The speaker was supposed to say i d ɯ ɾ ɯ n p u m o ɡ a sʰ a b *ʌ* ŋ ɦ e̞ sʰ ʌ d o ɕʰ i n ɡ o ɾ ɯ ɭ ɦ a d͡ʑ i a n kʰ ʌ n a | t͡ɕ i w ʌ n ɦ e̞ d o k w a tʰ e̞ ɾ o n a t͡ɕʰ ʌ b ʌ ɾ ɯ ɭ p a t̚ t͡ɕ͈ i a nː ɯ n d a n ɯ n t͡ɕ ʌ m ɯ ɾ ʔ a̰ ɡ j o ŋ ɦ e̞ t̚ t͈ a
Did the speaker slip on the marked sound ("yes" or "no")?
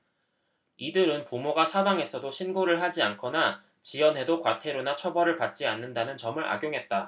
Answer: yes